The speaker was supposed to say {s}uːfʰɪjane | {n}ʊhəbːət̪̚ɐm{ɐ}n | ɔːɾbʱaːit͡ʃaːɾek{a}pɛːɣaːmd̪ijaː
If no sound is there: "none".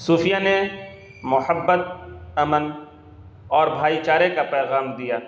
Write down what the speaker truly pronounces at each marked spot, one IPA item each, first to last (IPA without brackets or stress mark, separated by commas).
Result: s, m, ə, a